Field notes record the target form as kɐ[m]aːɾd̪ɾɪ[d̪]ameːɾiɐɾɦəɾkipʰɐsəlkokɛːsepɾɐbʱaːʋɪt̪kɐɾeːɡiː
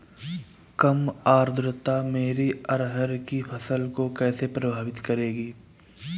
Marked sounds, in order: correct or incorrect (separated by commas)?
correct, incorrect